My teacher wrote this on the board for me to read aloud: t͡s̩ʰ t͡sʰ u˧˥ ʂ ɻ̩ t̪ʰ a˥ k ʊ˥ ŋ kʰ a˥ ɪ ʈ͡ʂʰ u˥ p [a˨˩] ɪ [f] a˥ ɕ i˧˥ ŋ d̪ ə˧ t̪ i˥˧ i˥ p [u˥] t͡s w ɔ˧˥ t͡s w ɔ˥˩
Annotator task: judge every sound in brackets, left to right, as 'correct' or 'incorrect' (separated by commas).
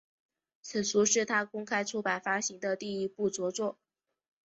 correct, correct, incorrect